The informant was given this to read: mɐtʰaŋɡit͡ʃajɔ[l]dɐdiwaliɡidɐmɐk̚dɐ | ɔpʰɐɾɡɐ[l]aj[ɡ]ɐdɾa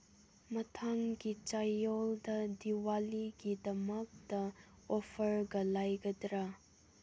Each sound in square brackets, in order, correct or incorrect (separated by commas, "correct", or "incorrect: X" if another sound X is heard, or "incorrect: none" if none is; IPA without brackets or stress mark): correct, correct, correct